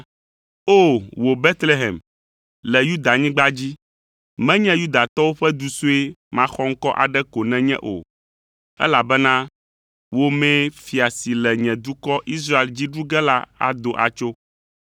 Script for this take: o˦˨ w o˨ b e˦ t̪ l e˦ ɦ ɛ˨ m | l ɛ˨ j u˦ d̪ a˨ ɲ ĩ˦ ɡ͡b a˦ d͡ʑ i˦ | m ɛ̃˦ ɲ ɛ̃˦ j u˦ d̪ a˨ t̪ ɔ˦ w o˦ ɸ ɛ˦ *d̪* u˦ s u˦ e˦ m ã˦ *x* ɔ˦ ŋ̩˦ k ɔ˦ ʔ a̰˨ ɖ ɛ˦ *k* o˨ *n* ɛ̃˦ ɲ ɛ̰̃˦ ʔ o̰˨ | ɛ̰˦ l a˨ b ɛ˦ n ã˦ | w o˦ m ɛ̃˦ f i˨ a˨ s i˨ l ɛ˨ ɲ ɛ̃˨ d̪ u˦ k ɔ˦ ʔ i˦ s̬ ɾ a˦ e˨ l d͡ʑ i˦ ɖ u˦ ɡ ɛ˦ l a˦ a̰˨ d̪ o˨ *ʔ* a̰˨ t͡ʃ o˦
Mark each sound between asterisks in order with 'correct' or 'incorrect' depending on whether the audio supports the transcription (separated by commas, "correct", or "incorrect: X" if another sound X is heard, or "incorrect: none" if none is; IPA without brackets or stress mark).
correct, correct, correct, correct, correct